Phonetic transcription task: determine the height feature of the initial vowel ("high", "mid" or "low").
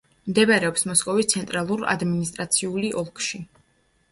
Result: mid